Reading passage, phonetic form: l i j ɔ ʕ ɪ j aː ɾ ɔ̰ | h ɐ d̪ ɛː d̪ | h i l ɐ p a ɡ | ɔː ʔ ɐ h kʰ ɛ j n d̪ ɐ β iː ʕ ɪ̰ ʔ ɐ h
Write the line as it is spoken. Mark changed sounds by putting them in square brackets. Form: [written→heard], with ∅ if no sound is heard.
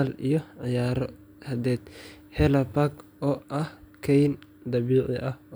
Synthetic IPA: l i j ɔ ʕ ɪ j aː ɾ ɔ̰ | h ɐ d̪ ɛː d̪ | h [i→ɛ] l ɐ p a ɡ | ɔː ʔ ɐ h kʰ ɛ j n d̪ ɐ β iː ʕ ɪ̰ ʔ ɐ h